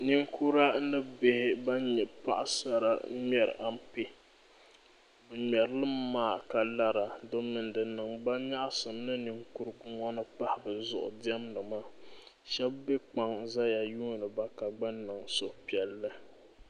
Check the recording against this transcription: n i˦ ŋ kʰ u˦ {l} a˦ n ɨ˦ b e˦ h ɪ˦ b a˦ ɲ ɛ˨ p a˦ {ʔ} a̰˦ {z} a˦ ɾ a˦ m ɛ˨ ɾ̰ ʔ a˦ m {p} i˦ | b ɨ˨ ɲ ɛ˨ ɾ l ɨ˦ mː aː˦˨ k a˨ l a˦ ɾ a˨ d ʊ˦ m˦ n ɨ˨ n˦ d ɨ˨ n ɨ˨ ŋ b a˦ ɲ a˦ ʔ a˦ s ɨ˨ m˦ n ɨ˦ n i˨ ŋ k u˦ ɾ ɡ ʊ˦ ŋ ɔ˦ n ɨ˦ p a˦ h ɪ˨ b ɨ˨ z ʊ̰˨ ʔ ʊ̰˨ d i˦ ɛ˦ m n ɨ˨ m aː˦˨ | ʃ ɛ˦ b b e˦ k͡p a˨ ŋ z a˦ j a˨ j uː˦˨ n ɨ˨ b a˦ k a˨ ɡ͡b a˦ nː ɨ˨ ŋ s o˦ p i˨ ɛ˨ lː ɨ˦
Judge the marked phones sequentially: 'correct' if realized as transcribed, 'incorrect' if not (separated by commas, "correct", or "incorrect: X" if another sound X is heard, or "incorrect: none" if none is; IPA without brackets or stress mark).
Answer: incorrect: ɾ, correct, incorrect: s, correct